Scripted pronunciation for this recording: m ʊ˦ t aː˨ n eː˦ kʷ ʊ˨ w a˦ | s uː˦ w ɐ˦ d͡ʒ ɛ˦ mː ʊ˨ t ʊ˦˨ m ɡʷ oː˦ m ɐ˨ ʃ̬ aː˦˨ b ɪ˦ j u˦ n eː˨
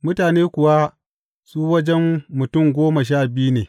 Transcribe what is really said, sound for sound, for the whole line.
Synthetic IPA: m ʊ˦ t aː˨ n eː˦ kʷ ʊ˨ w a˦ | s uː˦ w ɐ˦ d͡ʒ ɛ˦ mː ʊ˨ t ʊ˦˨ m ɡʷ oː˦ m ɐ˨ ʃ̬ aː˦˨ b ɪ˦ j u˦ n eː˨